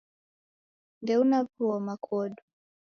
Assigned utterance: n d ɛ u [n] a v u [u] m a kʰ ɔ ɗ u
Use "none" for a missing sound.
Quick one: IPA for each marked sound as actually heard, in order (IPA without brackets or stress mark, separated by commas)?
n, ɔ